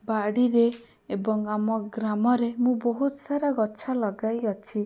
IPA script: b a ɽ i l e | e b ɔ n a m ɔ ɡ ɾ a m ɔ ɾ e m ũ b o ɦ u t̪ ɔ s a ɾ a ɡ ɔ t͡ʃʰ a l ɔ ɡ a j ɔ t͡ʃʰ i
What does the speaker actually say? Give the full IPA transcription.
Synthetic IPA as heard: b a ɽ i ɾ e | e b ɔ ŋ a m ɔ ɡ ɾ a m ɔ ɾ e m ũ b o ɦ u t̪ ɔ s a ɾ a ɡ ɔ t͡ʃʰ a l ɔ ɡ a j ɔ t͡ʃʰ i